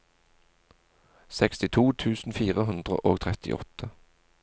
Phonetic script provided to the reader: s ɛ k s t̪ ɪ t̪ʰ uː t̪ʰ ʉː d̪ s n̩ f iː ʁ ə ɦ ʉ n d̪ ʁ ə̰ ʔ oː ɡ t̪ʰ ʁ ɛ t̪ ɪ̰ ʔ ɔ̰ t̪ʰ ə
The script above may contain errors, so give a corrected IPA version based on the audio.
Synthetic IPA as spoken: s ɛ k s t̪ ɪ t̪ʰ uː t̪ʰ ʉː s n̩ f iː ʁ ə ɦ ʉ n d̪ ʁ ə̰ ʔ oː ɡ t̪ʰ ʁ ɛ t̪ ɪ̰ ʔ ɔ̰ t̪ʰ ə